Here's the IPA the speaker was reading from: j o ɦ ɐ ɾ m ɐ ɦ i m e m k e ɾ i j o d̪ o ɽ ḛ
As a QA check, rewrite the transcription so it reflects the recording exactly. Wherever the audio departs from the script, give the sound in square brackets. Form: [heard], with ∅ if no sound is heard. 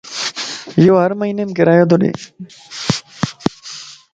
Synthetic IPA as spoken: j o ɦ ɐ ɾ m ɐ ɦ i [n] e m k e ɾ [a] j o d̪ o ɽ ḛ